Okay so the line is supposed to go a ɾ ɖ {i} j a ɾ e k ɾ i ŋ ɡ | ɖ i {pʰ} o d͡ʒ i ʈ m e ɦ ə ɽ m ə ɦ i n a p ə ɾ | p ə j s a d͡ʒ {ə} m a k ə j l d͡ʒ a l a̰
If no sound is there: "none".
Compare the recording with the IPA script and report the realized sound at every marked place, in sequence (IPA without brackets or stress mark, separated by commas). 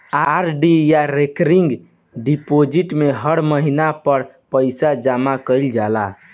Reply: i, p, a